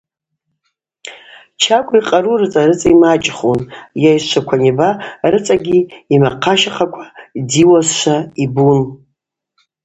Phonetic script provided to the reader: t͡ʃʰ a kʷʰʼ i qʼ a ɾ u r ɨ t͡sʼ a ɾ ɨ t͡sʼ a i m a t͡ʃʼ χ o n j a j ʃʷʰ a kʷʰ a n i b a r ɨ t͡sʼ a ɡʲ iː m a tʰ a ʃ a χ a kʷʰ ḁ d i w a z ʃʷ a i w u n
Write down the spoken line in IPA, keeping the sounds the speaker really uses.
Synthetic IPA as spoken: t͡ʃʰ a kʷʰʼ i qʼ a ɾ u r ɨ t͡sʼ a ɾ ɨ t͡sʼ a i m a t͡ʃʼ χ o n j a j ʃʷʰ a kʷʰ a n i b a r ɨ t͡sʼ a ɡʲ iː m a qʰ a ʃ a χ a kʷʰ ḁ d i w a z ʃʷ a i b u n